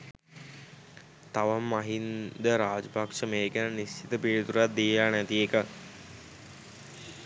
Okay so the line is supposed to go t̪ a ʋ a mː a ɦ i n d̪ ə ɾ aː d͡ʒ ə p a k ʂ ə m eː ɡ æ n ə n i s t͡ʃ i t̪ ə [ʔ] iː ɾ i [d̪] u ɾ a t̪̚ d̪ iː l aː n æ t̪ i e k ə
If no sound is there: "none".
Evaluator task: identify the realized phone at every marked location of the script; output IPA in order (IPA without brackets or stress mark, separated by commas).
p, t̪